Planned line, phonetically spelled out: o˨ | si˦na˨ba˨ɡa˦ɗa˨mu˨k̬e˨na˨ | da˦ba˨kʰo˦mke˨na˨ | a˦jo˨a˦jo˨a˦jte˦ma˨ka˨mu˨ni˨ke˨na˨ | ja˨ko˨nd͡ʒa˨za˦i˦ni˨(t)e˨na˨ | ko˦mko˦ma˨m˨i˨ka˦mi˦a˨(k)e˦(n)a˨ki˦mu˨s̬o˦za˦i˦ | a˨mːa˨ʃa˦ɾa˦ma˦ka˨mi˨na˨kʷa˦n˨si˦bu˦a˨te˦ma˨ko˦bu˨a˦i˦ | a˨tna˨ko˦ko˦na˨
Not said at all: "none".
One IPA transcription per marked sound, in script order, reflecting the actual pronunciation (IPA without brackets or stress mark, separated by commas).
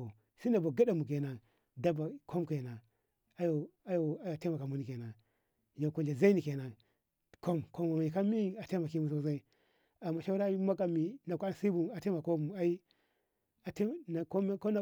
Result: k, t, m